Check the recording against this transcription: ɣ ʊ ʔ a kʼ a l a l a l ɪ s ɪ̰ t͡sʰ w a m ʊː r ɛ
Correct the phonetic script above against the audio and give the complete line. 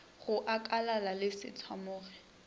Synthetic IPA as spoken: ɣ ʊ ʔ a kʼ a l a l a l ɪ s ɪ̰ t͡sʰ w a m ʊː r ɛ